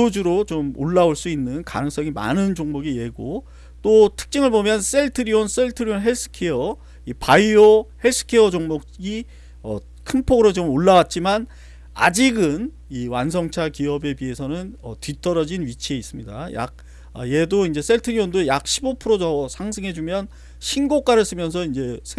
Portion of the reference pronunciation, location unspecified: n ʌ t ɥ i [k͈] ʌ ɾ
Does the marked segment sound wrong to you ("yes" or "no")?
yes